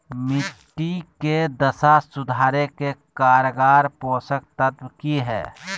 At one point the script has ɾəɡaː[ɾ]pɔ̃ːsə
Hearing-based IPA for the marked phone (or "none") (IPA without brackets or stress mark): ɾ